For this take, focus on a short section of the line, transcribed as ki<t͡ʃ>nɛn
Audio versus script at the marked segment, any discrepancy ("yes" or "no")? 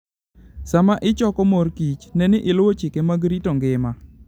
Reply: no